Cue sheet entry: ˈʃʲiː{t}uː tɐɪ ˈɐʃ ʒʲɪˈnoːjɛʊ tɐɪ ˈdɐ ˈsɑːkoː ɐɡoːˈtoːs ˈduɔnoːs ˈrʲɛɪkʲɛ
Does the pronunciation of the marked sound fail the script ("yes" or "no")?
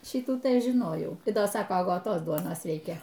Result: no